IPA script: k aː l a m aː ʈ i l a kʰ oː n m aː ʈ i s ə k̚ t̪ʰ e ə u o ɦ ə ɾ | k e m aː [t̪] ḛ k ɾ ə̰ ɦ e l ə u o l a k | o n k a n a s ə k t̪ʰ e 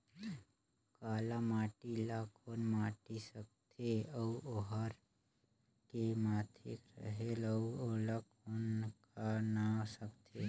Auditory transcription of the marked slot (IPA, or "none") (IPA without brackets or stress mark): t̪ʰ